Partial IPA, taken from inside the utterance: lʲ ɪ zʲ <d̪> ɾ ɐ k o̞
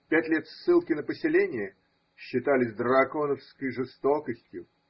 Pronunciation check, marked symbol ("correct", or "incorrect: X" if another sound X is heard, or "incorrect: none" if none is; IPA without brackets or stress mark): correct